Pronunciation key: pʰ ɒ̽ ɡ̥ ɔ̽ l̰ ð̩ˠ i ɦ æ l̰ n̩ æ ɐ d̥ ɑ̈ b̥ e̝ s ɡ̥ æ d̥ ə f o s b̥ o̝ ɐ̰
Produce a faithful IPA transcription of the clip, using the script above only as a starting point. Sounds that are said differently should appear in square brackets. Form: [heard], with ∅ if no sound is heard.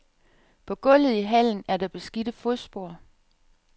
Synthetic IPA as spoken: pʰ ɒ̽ ɡ̥ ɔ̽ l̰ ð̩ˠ i ɦ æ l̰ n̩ æ ɐ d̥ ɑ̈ b̥ e̝ s ɡ̥ [i] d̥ ə f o s b̥ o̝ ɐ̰